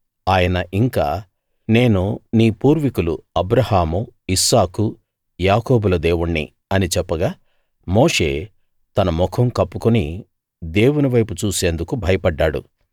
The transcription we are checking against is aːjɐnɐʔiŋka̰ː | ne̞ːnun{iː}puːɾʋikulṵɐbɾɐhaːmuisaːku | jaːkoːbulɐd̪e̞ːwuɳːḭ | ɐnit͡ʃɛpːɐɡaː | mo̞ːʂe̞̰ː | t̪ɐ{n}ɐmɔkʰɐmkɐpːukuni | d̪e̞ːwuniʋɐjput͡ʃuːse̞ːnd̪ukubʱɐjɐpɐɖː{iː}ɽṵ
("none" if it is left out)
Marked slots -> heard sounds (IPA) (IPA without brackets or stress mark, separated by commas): iː, n, aː